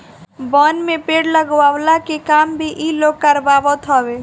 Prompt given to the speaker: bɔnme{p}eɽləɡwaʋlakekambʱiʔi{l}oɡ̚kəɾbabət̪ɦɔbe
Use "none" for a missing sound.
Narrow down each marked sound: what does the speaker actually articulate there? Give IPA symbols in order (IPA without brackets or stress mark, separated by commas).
p, l